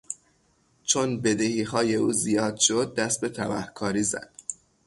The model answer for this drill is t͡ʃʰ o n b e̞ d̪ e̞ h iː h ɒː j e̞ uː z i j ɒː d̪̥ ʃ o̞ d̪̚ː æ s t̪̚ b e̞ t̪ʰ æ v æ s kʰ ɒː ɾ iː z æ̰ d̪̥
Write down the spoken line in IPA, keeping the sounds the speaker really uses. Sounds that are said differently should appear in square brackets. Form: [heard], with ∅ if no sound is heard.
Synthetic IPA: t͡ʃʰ o n b e̞ d̪ e̞ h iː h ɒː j e̞ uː z i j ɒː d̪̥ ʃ o̞ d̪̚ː æ s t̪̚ b e̞ t̪ʰ æ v æ [h] kʰ ɒː ɾ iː z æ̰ d̪̥